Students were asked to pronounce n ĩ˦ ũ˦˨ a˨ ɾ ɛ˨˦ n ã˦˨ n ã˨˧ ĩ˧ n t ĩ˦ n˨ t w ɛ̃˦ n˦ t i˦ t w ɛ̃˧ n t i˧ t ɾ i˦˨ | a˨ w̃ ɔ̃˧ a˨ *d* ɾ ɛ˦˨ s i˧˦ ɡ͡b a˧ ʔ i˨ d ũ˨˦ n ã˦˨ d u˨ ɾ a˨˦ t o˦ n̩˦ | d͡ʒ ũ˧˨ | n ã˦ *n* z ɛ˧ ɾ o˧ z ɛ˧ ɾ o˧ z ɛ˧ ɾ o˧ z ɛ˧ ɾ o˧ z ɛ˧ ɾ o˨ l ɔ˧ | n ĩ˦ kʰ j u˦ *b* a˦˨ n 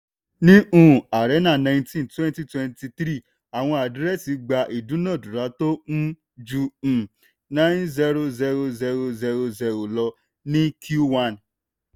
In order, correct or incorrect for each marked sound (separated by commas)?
correct, correct, incorrect